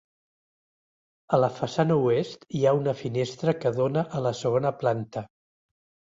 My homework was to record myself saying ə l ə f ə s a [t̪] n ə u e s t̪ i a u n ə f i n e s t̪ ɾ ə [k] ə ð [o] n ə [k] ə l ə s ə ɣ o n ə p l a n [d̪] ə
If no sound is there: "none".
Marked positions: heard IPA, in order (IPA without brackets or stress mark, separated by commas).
none, k, o, ʔ, t̪